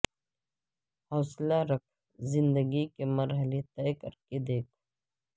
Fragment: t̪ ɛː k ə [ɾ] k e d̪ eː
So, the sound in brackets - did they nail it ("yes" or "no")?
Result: yes